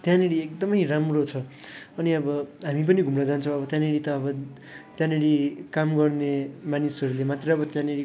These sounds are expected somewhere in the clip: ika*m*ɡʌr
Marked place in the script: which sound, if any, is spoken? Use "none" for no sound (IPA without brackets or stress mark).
m